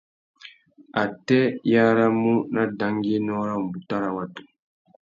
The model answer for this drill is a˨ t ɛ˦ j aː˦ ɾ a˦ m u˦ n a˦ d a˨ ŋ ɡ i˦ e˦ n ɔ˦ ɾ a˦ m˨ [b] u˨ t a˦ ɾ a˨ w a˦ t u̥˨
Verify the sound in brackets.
correct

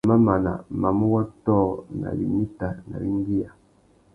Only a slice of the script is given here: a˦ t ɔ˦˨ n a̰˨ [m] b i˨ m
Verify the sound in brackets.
incorrect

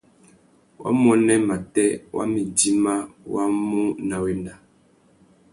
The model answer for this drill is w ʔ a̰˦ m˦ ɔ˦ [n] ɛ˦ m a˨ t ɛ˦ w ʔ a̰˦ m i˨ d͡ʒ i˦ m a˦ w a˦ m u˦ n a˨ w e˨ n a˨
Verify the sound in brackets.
correct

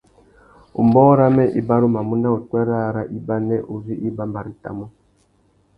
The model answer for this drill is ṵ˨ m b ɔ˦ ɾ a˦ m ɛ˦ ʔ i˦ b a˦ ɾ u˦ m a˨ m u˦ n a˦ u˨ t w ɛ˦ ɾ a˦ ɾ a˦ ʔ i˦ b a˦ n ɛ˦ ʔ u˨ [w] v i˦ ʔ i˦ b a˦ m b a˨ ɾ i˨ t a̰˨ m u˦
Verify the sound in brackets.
incorrect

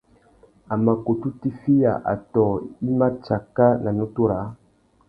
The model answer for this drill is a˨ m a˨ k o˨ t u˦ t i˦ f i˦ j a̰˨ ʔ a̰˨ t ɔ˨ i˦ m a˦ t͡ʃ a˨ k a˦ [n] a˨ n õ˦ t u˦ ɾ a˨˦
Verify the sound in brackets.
correct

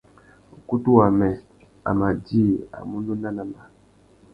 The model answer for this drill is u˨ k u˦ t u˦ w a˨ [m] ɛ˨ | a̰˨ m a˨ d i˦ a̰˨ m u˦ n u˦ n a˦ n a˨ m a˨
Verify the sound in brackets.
correct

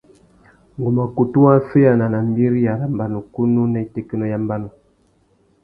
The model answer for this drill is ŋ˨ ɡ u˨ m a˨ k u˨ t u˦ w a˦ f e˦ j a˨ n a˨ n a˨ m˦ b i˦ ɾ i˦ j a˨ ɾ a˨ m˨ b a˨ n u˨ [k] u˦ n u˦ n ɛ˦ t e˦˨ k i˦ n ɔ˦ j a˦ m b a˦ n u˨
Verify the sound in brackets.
correct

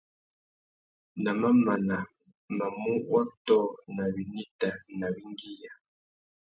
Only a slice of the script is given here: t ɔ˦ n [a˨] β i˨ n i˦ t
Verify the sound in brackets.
correct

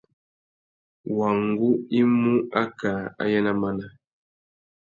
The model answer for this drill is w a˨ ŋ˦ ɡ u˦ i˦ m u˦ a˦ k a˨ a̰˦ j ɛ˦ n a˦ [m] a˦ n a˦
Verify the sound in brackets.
correct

